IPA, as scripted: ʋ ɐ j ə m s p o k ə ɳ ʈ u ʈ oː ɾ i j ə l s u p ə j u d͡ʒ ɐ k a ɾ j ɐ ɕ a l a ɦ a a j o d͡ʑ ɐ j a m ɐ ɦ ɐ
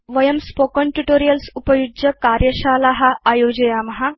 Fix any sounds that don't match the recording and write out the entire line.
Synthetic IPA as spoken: ʋ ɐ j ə m s p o k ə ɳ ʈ u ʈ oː ɾ i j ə l s u p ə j u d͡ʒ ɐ k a ɾ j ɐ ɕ a l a ɦ a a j o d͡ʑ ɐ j a m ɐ ɦ a